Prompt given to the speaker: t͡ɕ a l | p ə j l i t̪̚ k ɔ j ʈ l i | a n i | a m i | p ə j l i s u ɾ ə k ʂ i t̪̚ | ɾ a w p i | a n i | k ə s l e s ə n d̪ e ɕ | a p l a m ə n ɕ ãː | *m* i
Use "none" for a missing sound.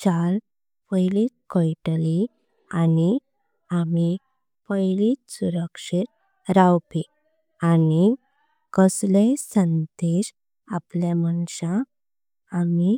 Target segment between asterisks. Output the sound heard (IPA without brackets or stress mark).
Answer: m